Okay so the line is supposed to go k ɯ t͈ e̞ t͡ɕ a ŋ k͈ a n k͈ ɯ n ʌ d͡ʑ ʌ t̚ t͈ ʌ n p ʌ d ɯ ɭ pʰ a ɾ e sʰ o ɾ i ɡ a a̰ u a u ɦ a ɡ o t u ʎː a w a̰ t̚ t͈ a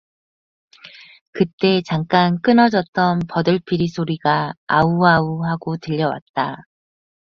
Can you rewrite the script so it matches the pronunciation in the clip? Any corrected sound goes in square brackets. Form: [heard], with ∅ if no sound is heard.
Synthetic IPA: k ɯ t͈ e̞ t͡ɕ a ŋ k͈ a n k͈ ɯ n ʌ d͡ʑ ʌ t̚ t͈ ʌ n p ʌ d ɯ ɭ pʰ [i] ɾ [i] sʰ o ɾ i ɡ a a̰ u a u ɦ a ɡ o t [ɯ] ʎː [ʌ] w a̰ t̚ t͈ a